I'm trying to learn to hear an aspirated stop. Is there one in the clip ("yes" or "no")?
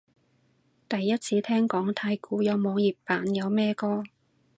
yes